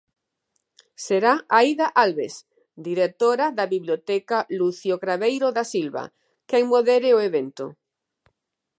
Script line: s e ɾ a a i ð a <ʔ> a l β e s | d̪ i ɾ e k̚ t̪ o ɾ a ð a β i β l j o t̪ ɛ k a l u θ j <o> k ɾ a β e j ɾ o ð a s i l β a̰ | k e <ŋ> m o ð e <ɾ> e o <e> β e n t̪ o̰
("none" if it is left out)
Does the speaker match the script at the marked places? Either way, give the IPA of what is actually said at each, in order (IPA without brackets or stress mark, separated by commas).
ʔ, o, ŋ, ɾ, e